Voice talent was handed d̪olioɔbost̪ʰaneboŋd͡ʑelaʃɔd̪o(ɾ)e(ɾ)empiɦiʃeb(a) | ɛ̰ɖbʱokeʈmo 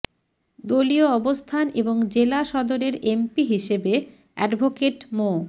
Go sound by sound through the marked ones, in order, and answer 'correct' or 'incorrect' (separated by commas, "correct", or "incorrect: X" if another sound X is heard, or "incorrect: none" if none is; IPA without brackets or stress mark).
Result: correct, correct, incorrect: e